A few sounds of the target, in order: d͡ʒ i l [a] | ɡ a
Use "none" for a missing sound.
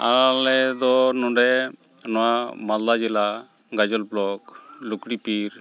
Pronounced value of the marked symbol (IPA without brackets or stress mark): a